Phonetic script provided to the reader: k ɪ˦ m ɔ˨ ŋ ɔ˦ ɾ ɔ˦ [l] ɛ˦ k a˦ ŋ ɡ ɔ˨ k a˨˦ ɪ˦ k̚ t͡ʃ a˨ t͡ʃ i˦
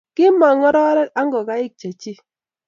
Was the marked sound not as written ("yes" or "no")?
yes